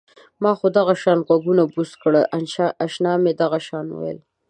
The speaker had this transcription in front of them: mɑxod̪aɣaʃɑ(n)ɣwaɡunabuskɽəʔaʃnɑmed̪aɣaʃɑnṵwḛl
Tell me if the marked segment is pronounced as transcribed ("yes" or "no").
yes